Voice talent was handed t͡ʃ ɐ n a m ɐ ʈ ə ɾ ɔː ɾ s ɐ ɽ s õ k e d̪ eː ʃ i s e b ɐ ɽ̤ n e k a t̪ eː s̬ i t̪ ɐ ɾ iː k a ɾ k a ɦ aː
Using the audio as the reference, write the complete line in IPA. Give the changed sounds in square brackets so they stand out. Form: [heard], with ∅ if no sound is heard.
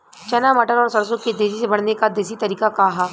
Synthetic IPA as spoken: t͡ʃ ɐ n a m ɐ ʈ ə ɾ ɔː ɾ s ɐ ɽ s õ k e d̪ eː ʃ i s e b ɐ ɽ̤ n e k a [d̪] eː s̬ i t̪ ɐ ɾ iː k a [∅] k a ɦ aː

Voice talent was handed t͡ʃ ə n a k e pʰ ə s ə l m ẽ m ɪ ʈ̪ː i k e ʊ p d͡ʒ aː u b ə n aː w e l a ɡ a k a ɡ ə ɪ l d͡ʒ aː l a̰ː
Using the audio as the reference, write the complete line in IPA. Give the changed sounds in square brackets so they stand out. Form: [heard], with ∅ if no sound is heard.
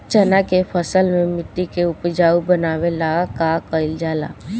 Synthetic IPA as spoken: t͡ʃ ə n a k e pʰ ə s ə l m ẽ m ɪ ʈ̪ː i k e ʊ p d͡ʒ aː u b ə n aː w e l a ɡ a k a [k] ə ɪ l d͡ʒ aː l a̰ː

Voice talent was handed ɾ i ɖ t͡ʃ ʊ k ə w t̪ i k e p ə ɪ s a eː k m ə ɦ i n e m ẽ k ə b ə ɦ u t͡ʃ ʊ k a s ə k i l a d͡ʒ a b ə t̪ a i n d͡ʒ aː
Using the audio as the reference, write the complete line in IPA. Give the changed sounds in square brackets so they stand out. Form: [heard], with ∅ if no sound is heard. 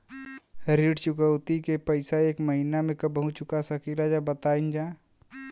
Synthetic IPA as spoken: ɾ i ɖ t͡ʃ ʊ k ə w t̪ i k e p ə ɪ s a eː k m ə ɦ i n [a] m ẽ k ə b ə ɦ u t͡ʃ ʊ k a s ə k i l a d͡ʒ a b ə t̪ a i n d͡ʒ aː

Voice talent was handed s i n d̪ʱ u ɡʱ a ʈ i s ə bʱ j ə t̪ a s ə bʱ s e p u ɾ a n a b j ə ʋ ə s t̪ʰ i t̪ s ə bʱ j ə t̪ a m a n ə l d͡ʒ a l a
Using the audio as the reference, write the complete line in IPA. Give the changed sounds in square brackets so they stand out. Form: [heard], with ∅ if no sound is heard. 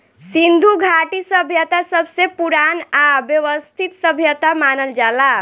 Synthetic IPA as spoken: s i n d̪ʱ u ɡʱ a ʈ i s ə bʱ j ə t̪ a s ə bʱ s e p u ɾ a n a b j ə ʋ ə s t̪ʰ i t̪ s ə bʱ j ə t̪ a m a n ə l d͡ʒ a l a

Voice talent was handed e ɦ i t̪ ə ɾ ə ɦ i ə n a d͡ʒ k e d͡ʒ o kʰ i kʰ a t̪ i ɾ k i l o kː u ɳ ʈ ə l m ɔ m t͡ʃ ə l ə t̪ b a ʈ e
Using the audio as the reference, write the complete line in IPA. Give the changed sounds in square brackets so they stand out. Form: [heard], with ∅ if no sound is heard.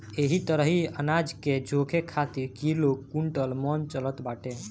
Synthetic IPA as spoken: e ɦ i t̪ ə ɾ ə ɦ i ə n a d͡ʒ k e d͡ʒ o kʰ [e] kʰ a t̪ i ɾ k i l o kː u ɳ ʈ ə l m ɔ [n] t͡ʃ ə l ə t̪ b a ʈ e

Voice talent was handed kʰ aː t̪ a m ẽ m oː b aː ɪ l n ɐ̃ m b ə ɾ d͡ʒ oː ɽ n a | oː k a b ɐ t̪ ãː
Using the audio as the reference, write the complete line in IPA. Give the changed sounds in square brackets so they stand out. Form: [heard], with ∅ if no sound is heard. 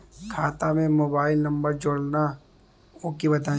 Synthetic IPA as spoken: kʰ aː t̪ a m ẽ m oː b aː ɪ l n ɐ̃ m b ə ɾ d͡ʒ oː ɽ n a | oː k [i] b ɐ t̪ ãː

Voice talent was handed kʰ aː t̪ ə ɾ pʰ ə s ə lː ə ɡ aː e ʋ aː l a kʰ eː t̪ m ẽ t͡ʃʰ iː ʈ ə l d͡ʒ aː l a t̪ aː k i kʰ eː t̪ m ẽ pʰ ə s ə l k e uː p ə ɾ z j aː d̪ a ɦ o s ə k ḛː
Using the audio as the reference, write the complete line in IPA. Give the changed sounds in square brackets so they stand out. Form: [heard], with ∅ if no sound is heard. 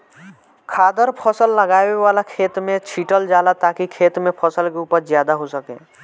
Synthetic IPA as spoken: kʰ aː [d̪] ə ɾ pʰ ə s ə lː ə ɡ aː e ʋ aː l a kʰ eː t̪ m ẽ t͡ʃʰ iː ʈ ə l d͡ʒ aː l a t̪ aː k i kʰ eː t̪ m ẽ pʰ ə s ə l k e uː p ə ɾ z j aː d̪ a ɦ o s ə k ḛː

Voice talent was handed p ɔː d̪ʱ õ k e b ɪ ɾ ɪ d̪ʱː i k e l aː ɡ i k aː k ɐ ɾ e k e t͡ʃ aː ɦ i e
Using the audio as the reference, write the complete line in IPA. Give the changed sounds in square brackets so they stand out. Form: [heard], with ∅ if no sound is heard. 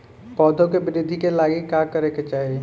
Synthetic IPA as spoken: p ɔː d̪ʱ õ k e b ɪ ɾ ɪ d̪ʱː i k e l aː ɡ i k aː k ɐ ɾ e k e t͡ʃ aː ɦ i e

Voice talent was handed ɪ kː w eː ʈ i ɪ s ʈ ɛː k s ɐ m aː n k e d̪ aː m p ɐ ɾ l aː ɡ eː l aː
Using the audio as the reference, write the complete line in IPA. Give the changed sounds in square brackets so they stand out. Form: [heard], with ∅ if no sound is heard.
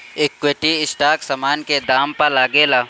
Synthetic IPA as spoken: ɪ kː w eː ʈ i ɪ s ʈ [aː] k s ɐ m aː n k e d̪ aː m p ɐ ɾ l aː ɡ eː l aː

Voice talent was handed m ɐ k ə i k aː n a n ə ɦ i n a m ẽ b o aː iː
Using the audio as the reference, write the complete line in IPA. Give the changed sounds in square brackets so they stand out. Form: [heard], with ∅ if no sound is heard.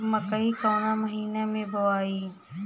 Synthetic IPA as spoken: m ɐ k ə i k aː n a [m] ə ɦ [iː] n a m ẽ b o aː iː

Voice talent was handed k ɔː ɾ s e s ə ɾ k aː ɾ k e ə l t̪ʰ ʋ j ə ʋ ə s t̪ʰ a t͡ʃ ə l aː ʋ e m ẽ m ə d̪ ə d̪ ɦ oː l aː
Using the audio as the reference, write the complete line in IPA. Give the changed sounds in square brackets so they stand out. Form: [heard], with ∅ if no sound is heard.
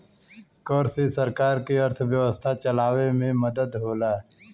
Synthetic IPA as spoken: k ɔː ɾ s e s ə ɾ k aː ɾ k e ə [ɾ] t̪ʰ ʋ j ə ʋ ə s t̪ʰ a t͡ʃ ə l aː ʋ e m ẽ m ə d̪ ə d̪ ɦ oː l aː

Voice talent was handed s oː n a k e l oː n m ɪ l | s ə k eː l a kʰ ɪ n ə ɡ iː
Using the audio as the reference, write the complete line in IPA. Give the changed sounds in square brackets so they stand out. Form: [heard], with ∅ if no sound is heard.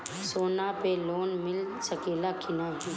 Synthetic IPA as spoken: s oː n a [p] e l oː n m ɪ l | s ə k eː l a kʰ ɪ n [a] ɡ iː

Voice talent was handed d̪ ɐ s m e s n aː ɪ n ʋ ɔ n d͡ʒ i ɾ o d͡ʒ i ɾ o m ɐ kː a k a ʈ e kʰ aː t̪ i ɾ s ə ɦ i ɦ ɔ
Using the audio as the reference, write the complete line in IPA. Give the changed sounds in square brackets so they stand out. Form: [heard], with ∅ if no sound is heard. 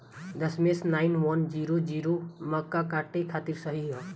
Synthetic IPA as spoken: d̪ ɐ s m e s n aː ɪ n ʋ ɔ n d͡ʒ i ɾ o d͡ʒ i ɾ o m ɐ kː a k a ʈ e kʰ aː t̪ i ɾ s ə ɦ i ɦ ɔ

